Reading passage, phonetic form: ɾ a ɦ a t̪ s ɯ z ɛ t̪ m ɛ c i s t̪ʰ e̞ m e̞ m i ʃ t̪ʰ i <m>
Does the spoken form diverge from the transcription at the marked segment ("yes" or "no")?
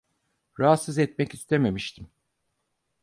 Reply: no